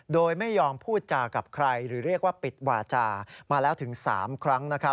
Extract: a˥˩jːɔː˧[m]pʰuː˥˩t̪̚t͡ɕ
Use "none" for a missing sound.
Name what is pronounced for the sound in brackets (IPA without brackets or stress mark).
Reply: m